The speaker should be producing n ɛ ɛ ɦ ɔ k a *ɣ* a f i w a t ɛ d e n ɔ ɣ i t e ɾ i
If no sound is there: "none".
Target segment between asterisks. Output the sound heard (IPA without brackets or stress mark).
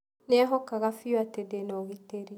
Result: ɣ